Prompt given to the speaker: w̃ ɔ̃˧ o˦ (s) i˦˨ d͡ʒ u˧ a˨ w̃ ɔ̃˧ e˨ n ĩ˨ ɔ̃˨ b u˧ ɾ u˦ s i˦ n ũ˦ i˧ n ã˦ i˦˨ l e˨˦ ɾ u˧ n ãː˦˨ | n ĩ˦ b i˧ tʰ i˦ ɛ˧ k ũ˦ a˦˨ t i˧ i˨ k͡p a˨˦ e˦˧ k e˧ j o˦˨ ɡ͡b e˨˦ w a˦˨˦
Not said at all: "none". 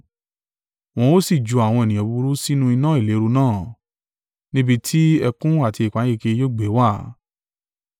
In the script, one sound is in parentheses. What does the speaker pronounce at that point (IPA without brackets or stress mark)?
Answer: s